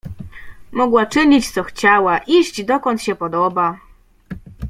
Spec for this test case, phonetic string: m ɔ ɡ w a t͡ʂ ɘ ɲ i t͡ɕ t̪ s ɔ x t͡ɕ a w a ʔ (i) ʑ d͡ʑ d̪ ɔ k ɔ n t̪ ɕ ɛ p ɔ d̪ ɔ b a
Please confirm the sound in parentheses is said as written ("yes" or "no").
yes